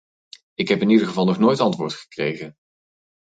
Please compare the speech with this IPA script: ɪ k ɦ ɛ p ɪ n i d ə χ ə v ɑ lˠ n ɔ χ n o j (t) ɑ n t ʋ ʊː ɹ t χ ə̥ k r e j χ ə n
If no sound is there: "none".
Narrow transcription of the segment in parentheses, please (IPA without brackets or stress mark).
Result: t